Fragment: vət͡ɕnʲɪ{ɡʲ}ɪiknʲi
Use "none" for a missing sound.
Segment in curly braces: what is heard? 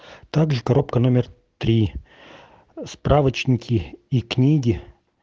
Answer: kʲ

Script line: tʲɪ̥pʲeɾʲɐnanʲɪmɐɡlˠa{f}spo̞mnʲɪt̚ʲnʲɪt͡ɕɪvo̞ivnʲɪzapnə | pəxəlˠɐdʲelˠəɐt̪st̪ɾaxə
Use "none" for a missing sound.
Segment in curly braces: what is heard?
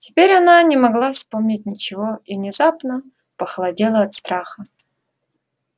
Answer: f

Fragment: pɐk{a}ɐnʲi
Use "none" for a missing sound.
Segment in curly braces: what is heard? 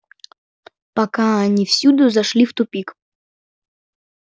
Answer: a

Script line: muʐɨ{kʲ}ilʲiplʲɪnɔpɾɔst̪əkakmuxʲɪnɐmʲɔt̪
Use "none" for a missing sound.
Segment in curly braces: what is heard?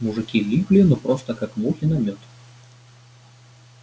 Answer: kʲ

